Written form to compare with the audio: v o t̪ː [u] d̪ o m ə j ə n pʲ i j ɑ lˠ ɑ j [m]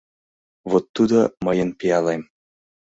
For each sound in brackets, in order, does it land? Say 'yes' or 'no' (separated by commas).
yes, yes